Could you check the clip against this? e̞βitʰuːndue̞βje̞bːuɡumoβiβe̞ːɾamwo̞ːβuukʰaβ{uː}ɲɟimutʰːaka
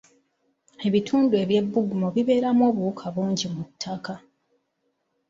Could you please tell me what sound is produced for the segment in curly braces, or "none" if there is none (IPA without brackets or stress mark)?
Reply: uː